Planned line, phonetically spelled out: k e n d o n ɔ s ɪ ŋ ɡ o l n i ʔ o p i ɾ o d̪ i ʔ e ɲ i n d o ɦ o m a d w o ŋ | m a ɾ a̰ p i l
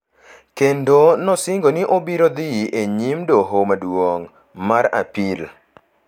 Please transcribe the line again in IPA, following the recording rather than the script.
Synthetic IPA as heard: k e n d o n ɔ s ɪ ŋ ɡ o n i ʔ o b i ɾ o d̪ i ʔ e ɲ i m d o ɦ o m a d w o ŋ | m a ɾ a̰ p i l